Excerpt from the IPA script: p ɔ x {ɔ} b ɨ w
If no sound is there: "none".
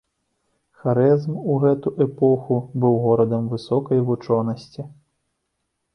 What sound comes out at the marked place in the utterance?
u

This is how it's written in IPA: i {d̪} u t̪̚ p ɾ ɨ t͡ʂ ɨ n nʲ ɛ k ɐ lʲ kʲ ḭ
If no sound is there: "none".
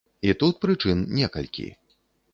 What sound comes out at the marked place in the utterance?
t̪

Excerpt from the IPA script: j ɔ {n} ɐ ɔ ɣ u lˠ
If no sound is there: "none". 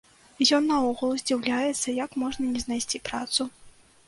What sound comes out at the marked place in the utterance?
nː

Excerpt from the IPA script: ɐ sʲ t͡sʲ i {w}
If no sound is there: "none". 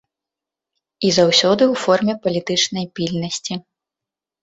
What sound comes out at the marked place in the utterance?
none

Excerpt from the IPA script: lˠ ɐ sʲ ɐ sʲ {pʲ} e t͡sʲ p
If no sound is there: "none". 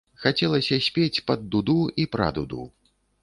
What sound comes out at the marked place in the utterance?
pʲ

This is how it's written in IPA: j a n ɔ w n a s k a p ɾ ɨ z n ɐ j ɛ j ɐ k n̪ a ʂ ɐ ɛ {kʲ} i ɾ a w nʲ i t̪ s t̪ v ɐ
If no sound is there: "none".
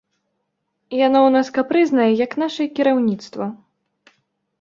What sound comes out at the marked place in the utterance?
kʲ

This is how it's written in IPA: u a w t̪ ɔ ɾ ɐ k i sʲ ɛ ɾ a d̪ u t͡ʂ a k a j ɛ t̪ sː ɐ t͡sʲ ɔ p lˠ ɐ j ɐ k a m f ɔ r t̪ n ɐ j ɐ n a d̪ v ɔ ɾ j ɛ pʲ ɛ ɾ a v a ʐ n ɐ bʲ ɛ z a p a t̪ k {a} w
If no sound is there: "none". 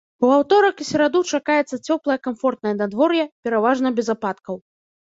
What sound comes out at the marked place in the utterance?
ɐ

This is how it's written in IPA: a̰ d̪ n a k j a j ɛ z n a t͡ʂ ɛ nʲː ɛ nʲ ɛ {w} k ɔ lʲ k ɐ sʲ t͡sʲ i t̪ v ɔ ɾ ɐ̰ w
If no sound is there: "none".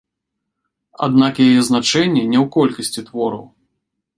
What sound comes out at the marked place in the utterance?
w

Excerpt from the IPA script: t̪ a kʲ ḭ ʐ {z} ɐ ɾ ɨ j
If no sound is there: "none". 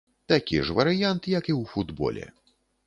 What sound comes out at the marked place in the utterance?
v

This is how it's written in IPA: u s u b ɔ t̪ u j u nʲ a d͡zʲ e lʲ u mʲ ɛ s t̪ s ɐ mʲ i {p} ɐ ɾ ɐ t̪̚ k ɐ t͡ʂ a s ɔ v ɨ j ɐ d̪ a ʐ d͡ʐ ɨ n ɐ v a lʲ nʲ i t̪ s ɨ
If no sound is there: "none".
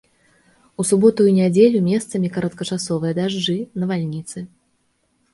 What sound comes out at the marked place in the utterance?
k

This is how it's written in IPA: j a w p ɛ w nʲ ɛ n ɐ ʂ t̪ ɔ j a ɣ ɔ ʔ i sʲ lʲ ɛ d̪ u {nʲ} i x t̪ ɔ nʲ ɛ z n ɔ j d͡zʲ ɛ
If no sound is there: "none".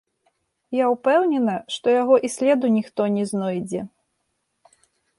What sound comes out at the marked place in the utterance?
nʲ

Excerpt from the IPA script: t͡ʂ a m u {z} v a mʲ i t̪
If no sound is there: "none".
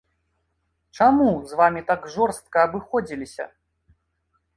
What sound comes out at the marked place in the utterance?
z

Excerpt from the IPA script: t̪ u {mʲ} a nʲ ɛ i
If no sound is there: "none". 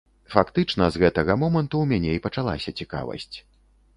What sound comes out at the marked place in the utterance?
mʲ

